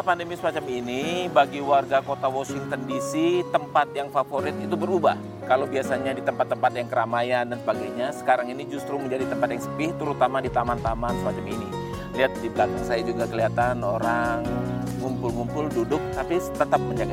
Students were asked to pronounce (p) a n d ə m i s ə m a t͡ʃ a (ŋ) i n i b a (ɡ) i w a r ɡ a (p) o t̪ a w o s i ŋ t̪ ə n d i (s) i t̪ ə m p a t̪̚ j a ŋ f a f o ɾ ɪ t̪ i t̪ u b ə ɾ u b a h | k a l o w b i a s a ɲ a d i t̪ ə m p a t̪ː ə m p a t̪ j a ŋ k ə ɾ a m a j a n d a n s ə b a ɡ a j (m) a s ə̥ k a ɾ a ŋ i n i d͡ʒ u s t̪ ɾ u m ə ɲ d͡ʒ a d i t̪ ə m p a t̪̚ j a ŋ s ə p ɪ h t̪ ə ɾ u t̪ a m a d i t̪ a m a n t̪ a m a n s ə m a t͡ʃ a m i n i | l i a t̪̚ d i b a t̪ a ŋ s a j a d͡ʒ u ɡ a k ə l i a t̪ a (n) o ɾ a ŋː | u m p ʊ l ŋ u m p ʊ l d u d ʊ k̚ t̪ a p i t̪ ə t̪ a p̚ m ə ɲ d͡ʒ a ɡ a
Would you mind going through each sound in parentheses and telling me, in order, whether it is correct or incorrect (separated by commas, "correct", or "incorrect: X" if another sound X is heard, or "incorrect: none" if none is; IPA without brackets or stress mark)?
correct, incorrect: m, correct, incorrect: k, correct, incorrect: ɲ, correct